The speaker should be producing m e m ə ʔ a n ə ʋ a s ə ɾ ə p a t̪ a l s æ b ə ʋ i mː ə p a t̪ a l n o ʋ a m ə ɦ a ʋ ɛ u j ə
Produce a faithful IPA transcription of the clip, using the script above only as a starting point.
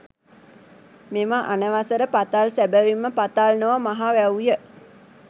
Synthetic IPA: m e m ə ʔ a n ə ʋ a s ə ɾ ə p a t̪ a l s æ b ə ʋ i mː ə p a t̪ a l n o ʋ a m a ɦ a ʋ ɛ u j ə